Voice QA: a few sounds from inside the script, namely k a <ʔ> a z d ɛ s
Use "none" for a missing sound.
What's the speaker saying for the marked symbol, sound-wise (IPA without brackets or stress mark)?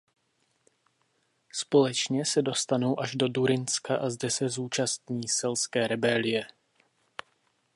ʔ